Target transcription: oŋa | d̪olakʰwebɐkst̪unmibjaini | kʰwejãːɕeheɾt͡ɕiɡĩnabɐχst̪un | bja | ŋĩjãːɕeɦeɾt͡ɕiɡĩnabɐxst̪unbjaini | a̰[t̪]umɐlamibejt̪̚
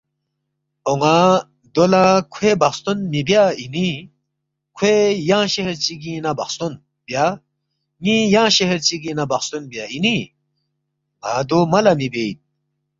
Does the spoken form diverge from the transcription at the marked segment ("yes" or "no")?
yes